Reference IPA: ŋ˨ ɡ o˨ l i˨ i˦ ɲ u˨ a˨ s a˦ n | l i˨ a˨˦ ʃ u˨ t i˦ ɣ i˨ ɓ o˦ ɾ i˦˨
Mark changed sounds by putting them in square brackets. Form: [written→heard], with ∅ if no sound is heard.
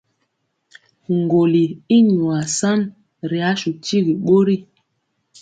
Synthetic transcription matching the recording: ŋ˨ ɡ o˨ l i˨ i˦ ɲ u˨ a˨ s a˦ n | [l→ɾ] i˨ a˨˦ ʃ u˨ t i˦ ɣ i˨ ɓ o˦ ɾ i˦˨